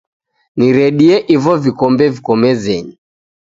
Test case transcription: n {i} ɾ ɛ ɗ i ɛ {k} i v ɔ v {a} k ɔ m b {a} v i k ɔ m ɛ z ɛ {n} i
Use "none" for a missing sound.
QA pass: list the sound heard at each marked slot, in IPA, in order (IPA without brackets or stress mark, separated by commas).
i, ʔ, i, ɛ, ɲ